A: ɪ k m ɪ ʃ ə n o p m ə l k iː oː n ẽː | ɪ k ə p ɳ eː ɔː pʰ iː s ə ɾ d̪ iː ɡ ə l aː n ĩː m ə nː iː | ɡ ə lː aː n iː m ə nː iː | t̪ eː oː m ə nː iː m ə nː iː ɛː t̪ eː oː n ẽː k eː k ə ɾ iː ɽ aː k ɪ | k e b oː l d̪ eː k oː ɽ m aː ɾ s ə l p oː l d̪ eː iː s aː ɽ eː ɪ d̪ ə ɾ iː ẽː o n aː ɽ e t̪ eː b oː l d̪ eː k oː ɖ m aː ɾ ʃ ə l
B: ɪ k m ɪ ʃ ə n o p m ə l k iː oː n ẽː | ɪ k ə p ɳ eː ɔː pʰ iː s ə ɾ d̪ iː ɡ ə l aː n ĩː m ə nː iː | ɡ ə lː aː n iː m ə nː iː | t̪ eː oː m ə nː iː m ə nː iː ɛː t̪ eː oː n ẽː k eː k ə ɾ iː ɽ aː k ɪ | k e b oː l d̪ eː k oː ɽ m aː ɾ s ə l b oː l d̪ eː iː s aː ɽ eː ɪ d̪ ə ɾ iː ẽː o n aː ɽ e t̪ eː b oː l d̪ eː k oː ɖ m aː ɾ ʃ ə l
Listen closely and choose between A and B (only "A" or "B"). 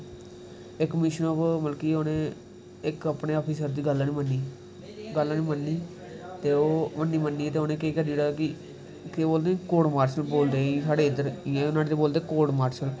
B